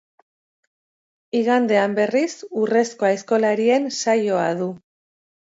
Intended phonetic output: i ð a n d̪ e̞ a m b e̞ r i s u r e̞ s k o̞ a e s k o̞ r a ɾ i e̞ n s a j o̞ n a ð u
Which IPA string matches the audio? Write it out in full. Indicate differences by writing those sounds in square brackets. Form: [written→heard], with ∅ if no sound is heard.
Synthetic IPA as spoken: i [ð→ɣ] a n d̪ e̞ a m b e̞ r i s u r e̞ s k o̞ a e s k o̞ [r→l] a ɾ i e̞ n s a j o̞ [n→∅] a ð u